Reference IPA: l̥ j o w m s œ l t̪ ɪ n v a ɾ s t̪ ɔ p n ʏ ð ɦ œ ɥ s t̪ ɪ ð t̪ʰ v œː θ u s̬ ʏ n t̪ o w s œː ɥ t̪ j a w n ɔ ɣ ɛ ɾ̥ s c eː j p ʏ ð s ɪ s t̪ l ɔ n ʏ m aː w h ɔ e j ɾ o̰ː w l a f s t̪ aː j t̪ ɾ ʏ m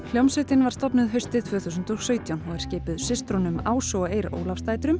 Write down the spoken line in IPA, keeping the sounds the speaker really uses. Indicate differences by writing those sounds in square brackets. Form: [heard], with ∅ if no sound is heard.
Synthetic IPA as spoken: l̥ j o w m s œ [∅] t̪ ɪ n v a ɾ s t̪ ɔ p n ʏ ð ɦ œ ɥ s t̪ ɪ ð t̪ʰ v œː θ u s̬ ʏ n t̪ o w s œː ɥ t̪ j a w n ɔ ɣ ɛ ɾ̥ s c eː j p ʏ ð s ɪ s t̪ [ɾ] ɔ n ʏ m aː w [s] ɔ e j ɾ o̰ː w l a f s t̪ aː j t̪ ɾ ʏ m